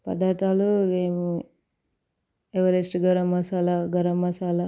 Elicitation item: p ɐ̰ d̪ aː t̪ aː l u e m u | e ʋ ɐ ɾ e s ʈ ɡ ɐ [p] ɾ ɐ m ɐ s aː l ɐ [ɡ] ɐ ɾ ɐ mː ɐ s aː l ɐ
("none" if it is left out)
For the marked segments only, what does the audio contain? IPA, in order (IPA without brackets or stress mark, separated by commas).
none, ɡ